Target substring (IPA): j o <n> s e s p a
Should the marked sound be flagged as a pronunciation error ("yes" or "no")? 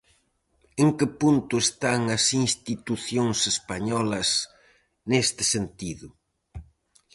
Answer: yes